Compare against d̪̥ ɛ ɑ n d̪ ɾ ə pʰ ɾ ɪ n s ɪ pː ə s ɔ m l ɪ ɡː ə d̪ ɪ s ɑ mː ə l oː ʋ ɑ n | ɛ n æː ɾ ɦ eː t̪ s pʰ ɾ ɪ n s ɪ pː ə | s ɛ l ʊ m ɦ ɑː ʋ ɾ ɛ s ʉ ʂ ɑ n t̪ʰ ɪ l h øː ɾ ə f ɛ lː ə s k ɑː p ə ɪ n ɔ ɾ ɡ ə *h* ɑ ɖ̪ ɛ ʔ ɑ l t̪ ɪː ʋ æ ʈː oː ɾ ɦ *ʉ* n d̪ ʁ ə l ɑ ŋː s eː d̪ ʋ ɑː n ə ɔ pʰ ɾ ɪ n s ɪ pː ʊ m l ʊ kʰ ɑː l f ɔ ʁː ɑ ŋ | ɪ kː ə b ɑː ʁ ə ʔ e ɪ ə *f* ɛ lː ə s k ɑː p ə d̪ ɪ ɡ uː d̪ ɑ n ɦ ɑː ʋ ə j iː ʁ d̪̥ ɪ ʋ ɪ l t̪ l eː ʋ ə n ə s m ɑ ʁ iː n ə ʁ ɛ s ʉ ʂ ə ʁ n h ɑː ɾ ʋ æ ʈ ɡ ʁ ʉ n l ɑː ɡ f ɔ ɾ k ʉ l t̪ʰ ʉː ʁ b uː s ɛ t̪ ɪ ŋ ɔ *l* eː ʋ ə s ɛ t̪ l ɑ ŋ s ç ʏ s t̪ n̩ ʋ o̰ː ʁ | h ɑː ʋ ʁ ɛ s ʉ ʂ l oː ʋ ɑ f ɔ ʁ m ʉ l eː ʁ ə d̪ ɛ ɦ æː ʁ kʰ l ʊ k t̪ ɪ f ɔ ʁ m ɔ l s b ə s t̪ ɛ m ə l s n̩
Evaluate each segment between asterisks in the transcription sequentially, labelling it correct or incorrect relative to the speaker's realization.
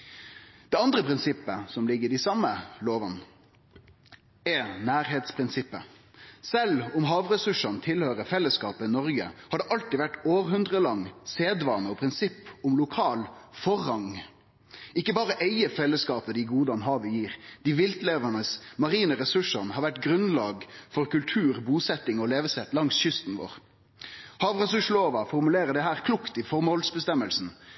correct, correct, correct, correct

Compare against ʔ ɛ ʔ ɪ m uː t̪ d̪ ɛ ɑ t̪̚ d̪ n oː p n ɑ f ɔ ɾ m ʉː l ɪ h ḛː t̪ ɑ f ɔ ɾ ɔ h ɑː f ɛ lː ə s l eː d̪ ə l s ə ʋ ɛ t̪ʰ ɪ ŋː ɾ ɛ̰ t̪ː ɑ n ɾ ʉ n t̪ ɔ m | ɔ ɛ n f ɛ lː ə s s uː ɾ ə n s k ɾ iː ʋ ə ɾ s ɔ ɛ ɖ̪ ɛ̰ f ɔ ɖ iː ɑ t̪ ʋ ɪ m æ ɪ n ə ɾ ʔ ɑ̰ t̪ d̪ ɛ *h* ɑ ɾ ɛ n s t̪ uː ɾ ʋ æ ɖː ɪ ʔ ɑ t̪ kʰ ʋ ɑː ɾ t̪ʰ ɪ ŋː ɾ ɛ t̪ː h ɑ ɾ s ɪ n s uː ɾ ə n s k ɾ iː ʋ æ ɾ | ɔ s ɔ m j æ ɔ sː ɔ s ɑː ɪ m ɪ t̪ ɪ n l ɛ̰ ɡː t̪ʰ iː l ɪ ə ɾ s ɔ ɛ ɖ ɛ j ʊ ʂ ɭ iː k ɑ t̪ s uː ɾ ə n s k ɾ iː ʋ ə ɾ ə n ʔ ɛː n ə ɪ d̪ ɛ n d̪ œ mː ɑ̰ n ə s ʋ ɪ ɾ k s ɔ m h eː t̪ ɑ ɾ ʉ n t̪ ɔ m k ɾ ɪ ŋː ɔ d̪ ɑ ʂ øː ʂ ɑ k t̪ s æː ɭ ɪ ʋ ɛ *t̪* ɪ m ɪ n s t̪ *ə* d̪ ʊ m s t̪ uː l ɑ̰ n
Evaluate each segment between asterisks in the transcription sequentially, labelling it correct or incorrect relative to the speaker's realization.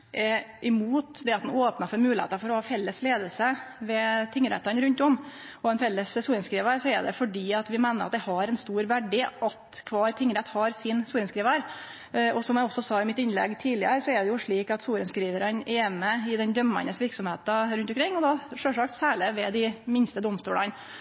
correct, incorrect: d̪, correct

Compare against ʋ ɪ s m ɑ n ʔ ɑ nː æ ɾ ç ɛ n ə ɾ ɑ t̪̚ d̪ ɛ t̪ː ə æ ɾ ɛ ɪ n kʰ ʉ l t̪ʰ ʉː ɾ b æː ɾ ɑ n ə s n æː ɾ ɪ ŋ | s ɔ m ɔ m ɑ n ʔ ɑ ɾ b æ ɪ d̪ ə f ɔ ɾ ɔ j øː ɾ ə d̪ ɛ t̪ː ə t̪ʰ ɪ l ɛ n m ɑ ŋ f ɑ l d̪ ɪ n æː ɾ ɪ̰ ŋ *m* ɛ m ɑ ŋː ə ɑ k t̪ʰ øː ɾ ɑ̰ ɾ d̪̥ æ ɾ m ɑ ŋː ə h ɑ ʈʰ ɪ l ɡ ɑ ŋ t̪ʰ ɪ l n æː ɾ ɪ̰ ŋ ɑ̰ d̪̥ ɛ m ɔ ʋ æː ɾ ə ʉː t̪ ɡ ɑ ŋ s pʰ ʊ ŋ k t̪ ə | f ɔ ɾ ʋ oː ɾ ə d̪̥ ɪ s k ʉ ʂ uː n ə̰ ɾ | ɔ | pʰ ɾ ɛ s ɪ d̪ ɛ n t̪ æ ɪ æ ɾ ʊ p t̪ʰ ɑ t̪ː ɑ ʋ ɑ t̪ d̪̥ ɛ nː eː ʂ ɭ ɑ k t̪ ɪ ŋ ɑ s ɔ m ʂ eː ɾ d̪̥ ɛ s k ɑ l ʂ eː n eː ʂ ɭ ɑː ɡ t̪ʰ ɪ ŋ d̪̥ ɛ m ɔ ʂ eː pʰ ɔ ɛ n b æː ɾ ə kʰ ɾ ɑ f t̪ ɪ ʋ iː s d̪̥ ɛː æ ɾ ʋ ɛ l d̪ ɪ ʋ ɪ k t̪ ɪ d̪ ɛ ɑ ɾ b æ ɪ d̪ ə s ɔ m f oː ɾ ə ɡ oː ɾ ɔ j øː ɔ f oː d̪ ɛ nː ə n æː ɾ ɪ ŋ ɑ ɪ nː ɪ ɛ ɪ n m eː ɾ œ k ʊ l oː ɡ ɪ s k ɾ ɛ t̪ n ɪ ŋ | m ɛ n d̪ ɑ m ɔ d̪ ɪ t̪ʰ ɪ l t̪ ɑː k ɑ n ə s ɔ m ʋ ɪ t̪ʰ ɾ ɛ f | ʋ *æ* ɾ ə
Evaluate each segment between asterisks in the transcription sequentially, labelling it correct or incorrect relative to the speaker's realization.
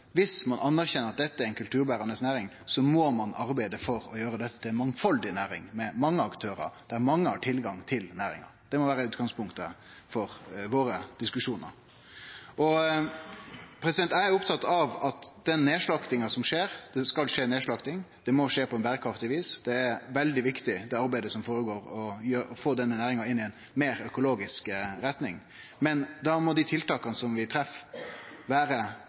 correct, incorrect: æː

